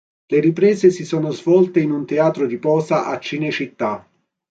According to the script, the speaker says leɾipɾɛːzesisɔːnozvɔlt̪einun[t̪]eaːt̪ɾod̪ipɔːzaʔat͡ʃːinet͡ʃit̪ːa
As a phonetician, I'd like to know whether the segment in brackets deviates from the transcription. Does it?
no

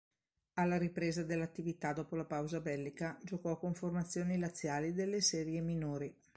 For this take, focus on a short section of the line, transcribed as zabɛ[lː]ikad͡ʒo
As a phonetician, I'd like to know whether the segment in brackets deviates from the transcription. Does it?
no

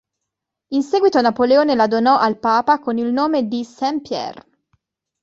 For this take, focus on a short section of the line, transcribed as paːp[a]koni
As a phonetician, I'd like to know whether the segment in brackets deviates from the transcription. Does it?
no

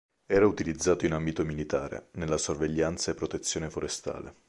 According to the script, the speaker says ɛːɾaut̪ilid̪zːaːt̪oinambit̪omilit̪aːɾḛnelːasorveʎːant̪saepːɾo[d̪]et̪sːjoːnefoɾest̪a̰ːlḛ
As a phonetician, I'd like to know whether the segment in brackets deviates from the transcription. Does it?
yes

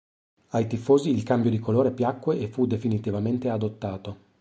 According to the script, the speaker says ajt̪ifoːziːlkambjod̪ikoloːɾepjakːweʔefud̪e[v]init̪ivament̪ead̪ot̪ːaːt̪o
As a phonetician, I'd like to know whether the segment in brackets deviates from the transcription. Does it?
yes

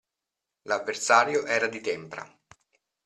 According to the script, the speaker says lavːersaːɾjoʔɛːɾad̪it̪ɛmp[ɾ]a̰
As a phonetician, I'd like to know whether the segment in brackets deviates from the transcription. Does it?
no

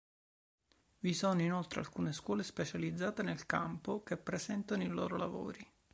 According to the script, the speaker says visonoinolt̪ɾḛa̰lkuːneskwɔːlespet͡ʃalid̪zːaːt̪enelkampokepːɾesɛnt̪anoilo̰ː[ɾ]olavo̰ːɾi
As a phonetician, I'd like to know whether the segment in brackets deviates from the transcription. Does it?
no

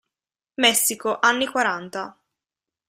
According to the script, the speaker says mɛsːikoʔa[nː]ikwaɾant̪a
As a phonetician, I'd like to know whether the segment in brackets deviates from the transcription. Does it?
no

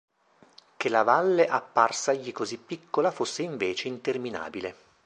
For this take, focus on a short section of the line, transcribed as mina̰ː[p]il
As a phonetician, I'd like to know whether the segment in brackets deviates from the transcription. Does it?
yes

